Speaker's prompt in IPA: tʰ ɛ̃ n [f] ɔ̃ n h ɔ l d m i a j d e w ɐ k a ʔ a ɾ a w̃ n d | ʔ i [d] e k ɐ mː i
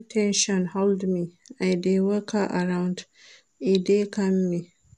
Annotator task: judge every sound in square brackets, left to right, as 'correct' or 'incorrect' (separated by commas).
incorrect, correct